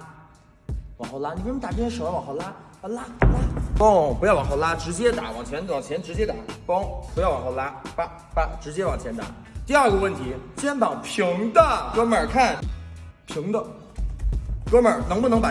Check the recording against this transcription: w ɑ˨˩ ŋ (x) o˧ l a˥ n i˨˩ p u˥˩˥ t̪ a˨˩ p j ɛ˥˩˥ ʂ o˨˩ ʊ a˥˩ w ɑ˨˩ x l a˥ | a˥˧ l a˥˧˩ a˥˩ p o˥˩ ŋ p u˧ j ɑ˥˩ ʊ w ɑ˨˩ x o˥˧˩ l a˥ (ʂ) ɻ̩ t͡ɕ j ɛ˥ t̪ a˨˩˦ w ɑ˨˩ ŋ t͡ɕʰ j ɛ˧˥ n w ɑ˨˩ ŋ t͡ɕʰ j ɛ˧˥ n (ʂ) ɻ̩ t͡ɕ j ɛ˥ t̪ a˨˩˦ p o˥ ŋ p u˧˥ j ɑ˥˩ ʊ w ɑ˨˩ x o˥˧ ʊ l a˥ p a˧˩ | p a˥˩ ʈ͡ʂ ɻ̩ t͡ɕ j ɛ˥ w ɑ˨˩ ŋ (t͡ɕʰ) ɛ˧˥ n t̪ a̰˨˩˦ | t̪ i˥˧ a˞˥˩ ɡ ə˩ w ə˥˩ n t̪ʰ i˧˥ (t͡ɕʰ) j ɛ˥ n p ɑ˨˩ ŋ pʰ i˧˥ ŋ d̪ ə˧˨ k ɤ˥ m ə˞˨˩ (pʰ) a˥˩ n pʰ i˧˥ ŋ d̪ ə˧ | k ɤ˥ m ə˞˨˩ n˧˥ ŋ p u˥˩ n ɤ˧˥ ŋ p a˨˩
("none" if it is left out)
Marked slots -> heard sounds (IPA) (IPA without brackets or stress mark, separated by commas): x, ʈ͡ʂ, ʈ͡ʂ, t͡ɕʰ, t͡ɕ, kʰ